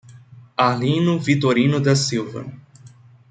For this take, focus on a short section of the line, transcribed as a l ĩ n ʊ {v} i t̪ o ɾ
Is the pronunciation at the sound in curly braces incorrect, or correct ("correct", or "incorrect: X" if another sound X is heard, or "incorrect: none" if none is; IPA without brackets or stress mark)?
correct